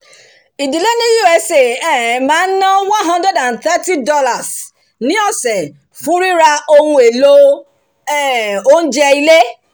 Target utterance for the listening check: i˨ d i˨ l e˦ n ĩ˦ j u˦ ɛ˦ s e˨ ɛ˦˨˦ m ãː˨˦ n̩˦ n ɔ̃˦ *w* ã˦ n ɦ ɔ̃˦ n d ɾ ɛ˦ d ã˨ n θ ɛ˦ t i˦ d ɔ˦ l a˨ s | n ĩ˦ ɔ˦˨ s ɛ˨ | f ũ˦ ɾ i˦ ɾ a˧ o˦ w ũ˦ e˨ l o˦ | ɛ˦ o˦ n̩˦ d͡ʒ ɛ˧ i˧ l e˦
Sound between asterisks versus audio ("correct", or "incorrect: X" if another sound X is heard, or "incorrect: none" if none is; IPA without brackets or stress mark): correct